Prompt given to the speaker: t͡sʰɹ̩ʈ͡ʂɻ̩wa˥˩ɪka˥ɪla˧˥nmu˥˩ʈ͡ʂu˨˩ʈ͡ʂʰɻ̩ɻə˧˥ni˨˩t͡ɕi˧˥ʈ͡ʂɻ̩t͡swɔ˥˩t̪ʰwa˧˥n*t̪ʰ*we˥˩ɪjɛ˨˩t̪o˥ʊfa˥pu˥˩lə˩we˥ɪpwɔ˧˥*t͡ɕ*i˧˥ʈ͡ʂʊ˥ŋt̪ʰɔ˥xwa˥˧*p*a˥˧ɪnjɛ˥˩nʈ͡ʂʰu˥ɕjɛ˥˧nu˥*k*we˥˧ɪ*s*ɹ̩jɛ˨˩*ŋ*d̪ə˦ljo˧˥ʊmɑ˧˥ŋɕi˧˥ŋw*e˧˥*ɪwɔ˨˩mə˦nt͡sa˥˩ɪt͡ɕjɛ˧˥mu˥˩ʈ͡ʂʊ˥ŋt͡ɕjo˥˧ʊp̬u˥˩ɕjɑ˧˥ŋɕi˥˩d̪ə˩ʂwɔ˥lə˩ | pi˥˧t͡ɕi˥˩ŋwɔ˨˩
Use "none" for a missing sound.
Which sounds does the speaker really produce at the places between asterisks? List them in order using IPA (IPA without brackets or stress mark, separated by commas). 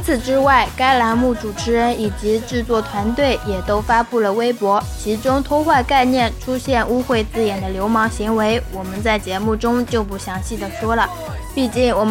t̪, t͡ɕʰ, k, x, t͡s, n, e˧˥